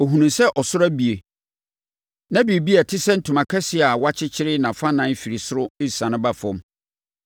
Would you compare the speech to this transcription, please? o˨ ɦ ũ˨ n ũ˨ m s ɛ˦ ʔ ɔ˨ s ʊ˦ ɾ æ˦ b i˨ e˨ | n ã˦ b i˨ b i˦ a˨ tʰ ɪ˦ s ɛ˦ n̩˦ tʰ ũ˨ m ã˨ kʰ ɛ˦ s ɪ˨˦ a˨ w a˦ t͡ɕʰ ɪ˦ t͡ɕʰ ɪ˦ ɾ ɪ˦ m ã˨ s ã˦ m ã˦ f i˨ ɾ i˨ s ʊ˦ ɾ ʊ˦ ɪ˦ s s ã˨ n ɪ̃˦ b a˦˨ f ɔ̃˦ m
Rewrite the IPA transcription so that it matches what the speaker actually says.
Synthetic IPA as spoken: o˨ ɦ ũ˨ n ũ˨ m s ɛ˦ ʔ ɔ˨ s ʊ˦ ɾ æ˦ b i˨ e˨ | n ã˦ b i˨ b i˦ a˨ tʰ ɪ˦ s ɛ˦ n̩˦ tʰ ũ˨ m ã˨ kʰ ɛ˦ s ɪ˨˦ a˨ w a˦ t͡ɕʰ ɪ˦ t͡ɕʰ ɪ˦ ɾ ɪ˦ n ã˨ f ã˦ n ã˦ f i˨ ɾ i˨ s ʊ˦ ɾ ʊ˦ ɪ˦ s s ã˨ n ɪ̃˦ b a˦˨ f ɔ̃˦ m